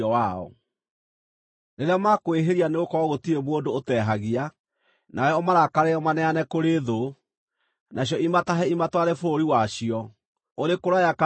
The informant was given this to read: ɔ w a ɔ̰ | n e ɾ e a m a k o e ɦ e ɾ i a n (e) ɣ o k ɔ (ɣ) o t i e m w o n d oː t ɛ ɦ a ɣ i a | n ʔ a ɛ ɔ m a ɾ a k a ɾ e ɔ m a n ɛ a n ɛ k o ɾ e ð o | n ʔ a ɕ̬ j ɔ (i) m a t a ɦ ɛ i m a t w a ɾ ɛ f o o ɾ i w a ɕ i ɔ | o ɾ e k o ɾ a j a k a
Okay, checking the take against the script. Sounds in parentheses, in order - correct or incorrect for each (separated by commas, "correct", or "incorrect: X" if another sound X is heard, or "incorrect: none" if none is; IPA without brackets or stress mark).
correct, correct, correct